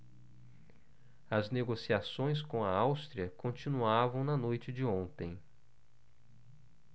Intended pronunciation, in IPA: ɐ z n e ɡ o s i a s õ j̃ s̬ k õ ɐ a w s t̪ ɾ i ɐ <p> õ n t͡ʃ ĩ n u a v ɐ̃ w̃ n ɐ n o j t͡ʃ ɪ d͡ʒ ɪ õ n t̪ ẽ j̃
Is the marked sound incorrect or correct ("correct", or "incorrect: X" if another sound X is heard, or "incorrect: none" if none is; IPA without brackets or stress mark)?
incorrect: k